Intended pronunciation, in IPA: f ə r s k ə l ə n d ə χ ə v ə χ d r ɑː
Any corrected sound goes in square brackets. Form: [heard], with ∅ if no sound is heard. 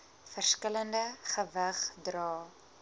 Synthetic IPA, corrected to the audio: f ə r s k ə l ə n d ə χ ə v ə χ d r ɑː